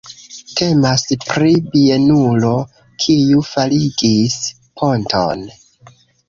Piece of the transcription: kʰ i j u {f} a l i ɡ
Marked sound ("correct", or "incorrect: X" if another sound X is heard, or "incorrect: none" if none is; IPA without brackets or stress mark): correct